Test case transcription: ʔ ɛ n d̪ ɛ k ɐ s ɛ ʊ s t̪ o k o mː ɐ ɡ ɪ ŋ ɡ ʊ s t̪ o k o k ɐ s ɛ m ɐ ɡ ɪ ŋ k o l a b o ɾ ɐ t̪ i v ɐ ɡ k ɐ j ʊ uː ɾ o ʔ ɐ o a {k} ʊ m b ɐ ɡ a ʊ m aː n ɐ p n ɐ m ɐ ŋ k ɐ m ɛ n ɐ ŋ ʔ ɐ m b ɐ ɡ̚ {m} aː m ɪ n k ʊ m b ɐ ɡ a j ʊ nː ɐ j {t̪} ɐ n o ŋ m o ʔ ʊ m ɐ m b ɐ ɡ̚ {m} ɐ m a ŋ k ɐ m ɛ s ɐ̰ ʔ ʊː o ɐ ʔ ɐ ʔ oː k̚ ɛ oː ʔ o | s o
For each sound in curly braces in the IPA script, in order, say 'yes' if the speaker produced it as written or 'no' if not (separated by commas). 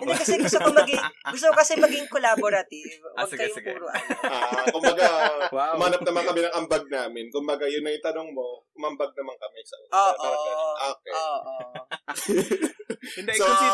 yes, no, yes, no